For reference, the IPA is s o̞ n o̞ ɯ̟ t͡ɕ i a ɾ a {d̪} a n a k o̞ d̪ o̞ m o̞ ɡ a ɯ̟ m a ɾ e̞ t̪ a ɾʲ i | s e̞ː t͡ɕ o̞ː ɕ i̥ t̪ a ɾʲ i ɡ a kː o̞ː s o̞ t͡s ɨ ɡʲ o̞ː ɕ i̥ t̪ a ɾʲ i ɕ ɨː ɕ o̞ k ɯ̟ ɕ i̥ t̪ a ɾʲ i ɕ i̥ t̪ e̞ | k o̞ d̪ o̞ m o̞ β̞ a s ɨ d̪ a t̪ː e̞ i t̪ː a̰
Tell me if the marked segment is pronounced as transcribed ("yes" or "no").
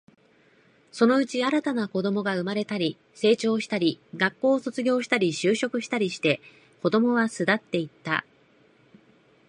no